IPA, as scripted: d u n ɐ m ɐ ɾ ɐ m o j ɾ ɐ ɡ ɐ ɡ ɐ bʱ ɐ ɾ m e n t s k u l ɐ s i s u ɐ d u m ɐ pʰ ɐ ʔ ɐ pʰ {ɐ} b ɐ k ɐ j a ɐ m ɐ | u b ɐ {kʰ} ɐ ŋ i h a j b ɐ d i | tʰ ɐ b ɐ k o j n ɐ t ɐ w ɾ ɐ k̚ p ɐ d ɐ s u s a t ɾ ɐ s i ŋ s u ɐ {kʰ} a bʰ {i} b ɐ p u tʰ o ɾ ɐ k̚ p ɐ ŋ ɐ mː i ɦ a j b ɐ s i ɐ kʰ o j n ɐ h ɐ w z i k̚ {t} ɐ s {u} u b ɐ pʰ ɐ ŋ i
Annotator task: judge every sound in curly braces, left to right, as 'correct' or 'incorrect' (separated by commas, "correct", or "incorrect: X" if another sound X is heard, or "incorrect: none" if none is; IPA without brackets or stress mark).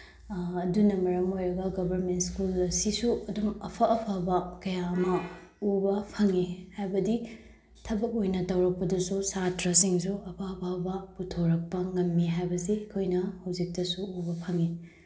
incorrect: a, incorrect: pʰ, incorrect: pʰ, incorrect: a, correct, correct